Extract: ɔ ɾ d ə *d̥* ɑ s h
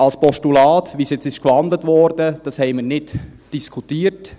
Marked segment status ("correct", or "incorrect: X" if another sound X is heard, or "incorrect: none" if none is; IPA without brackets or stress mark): correct